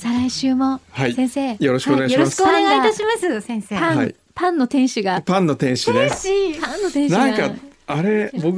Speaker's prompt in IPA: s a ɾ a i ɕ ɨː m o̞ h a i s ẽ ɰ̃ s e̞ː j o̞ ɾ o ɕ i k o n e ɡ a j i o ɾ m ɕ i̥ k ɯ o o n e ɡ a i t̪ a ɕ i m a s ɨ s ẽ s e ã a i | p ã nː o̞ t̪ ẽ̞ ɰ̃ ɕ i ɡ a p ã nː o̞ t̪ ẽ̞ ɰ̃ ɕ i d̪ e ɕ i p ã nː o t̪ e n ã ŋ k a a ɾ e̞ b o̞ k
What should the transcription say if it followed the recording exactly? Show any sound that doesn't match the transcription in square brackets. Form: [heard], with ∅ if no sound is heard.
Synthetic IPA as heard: s a ɾ a i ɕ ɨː m o̞ h a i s ẽ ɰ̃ s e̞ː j o̞ ɾ o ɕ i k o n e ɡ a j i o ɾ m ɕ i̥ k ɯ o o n e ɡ a i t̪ a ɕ i m a s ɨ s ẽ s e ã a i | p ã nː o̞ t̪ ẽ̞ ɰ̃ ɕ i ɡ a p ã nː o̞ t̪ ẽ̞ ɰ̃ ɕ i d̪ e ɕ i p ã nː o t̪ [ẽ] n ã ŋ k a a ɾ e̞ b o̞ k